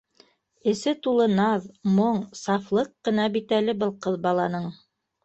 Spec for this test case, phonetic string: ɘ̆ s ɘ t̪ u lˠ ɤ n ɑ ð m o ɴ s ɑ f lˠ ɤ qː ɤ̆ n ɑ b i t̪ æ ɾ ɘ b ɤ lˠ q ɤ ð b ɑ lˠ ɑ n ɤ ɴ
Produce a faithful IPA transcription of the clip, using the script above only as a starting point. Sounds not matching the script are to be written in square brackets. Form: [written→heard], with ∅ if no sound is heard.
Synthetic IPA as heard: ɘ̆ s ɘ t̪ u lˠ ɤ n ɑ ð m o ɴ s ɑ f lˠ ɤ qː ɤ̆ n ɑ b i t̪ æ [ɾ→l] ɘ b ɤ lˠ q ɤ ð b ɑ lˠ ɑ n ɤ ɴ